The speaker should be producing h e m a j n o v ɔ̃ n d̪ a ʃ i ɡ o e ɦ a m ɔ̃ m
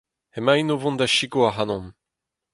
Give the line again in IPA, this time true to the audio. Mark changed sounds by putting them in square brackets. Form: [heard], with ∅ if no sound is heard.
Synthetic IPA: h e m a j n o v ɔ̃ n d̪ a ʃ i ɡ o [a] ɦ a [n] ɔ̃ m